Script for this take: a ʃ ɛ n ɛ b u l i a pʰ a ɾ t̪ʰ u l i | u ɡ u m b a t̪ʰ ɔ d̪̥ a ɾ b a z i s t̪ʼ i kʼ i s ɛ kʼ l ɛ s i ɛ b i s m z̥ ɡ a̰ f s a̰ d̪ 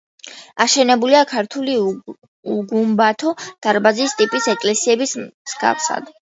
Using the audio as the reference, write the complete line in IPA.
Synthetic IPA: a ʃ ɛ n ɛ b u l i a kʰ a ɾ t̪ʰ u l i | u ɡ u m b a t̪ʰ ɔ d̪̥ a ɾ b a z i s t̪ʼ i pʼ i s ɛ kʼ l ɛ s i ɛ b i s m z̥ ɡ a̰ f s a̰ d̪